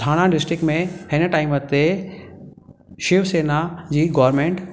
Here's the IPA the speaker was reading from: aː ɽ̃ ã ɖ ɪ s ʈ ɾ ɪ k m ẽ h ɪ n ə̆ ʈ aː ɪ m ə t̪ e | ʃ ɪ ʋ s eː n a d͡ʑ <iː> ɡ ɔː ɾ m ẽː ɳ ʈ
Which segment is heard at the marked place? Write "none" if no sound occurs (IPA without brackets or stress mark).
iː